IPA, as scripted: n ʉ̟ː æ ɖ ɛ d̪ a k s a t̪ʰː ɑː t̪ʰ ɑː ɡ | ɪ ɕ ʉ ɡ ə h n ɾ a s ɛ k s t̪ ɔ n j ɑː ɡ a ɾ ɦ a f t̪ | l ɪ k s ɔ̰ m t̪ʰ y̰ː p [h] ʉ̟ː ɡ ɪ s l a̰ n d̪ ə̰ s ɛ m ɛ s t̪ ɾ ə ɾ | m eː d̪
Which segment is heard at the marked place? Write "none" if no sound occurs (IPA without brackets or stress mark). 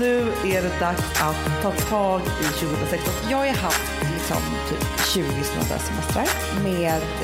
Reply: ɕ